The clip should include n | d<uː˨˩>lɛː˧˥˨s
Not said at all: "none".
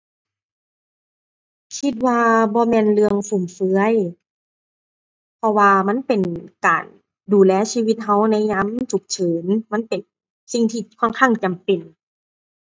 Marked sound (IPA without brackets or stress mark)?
uː˨˩